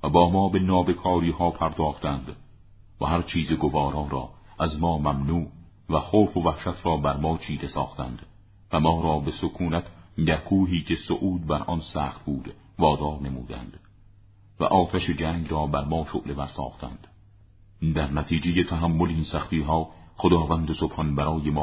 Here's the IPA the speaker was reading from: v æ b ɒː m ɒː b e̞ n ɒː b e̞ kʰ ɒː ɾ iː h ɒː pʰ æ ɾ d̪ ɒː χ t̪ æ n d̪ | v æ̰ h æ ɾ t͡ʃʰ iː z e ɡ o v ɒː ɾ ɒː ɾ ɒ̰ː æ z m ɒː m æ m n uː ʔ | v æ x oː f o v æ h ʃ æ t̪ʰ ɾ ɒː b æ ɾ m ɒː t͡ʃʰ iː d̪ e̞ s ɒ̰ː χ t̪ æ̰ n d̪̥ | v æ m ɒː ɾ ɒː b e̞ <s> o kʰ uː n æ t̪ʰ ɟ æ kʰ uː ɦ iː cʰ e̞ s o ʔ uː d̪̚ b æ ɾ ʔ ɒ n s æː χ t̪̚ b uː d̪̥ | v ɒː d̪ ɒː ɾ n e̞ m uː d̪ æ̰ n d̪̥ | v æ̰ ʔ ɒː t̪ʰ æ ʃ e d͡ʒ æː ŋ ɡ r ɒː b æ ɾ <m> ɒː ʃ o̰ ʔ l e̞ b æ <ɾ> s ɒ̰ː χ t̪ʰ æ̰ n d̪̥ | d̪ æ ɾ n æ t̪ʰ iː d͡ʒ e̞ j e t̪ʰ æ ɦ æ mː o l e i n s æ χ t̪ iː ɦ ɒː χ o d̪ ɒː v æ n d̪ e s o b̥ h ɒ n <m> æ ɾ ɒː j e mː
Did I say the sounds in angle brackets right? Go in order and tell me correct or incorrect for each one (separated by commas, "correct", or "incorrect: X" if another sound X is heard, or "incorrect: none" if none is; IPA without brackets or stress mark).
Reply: correct, correct, correct, incorrect: b